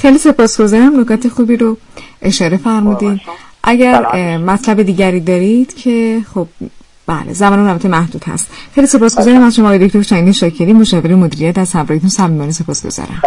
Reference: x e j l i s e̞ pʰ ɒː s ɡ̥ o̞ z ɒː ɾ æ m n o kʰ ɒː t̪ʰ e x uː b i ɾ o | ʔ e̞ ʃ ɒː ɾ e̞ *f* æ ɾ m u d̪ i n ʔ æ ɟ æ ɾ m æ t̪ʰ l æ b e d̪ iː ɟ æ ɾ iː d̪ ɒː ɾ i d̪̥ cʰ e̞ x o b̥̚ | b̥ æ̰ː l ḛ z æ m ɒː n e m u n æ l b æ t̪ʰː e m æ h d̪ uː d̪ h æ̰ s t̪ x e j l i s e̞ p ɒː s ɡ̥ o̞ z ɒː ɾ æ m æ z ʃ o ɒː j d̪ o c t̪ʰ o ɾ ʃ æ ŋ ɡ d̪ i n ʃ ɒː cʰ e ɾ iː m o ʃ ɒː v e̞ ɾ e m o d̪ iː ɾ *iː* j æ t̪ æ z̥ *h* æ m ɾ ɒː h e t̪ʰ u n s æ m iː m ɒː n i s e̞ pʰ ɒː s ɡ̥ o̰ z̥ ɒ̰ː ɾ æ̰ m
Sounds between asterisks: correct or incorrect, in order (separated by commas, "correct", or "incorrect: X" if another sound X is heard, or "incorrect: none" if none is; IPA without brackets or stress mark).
correct, incorrect: i, correct